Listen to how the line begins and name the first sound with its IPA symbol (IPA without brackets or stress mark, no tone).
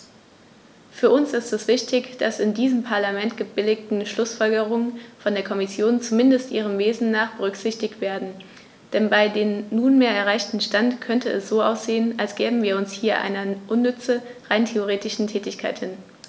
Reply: f